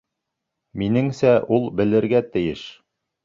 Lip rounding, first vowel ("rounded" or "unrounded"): unrounded